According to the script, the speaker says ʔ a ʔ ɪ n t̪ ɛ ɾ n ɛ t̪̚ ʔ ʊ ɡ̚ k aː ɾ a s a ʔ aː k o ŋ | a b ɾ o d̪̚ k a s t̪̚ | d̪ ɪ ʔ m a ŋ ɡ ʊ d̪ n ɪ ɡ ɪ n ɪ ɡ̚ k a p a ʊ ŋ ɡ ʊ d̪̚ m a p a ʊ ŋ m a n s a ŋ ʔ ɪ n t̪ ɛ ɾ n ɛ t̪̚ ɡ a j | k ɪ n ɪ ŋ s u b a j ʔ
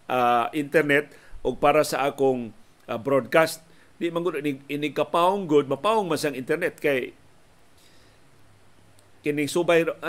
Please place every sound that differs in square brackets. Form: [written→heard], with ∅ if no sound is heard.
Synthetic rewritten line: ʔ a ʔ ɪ n t̪ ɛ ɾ n ɛ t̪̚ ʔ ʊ ɡ̚ [k→p] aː ɾ a s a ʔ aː k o ŋ | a b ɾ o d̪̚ k a s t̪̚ | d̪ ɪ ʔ m a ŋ ɡ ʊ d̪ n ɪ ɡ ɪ n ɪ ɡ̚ k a p a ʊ ŋ ɡ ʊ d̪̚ m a p a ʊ ŋ m a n s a ŋ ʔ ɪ n t̪ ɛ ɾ n ɛ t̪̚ [ɡ→k] a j | k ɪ n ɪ ŋ s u b a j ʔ